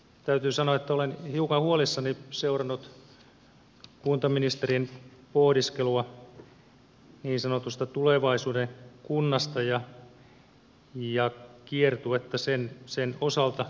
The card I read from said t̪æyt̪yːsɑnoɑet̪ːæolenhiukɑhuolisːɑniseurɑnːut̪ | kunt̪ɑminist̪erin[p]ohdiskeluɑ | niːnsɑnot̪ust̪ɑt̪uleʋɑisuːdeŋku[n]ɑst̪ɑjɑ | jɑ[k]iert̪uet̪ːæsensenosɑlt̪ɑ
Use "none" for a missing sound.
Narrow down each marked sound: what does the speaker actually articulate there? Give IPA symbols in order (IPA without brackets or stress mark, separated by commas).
p, nː, k